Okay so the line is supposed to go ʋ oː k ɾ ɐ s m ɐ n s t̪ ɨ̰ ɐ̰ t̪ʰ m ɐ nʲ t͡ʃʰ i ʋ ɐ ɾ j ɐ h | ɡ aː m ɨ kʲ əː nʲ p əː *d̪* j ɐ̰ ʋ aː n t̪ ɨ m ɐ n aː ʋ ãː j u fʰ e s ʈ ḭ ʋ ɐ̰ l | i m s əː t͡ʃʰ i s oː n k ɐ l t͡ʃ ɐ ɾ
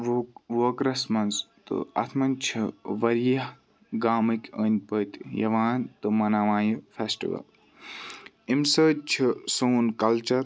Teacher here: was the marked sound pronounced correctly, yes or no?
no